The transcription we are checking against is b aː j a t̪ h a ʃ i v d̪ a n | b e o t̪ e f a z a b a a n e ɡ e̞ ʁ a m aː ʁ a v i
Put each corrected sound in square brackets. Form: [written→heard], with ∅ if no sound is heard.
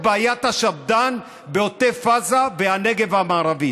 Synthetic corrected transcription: b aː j a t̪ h a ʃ [i→a] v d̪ a n | b e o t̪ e f a z a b [a→e] a n e ɡ e̞ [ʁ→v] a m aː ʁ a v i